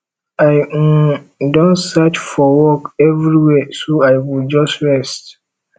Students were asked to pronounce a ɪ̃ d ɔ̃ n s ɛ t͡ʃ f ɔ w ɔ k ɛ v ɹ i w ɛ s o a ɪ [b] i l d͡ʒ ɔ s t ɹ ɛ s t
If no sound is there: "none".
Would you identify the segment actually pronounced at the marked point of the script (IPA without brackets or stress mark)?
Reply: w